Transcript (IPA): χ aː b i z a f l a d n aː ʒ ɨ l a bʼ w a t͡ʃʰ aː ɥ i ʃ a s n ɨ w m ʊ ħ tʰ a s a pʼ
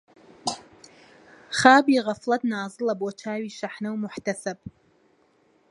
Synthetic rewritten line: χ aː b i ʁ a f l a d n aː z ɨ l a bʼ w a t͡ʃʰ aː ɥ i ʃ a ħ n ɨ w m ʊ ħ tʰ a s a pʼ